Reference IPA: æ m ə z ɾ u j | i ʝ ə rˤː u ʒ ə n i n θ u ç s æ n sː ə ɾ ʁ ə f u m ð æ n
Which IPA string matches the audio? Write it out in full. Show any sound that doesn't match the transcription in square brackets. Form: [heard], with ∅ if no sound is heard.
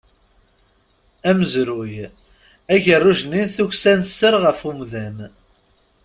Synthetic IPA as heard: æ m ə z ɾ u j | [æ] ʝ ə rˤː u ʒ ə n i n θ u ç s æ n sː ə ɾ ʁ ə f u m ð æ n